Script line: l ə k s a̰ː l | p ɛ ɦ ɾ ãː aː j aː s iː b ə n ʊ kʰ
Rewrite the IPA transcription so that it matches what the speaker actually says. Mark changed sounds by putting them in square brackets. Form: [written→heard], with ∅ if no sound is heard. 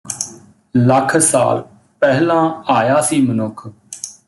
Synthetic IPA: l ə [k→kʰ] s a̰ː l | p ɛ ɦ [ɾ→l] ãː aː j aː s iː [b→m] ə n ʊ kʰ